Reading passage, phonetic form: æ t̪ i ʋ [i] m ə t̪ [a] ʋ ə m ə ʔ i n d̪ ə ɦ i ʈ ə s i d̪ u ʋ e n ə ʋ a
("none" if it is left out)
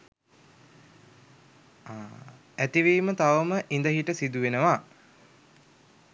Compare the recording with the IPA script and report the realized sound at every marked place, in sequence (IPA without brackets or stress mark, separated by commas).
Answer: iː, a